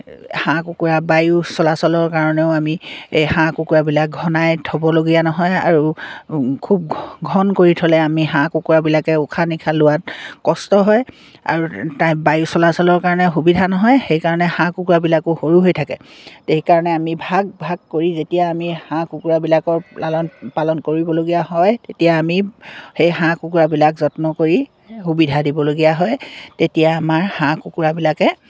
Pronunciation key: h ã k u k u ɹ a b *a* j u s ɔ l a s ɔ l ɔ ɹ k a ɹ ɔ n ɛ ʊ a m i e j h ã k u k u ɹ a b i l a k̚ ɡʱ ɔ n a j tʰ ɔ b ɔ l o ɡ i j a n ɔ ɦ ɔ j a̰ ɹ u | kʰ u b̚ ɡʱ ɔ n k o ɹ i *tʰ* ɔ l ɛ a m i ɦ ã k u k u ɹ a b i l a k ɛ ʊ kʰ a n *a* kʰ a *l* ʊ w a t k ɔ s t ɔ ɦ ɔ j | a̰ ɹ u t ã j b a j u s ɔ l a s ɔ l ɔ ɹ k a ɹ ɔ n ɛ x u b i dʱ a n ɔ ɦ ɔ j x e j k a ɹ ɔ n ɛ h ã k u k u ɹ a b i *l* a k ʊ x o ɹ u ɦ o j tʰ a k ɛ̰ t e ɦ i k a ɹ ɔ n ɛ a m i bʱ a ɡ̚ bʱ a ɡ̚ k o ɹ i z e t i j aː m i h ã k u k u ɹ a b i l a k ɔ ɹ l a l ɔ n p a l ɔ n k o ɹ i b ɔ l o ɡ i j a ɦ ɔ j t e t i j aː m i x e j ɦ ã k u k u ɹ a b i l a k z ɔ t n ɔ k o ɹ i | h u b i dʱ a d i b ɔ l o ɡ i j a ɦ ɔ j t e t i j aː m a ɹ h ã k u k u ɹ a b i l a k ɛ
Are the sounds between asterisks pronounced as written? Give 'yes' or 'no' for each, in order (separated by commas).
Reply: yes, yes, no, yes, yes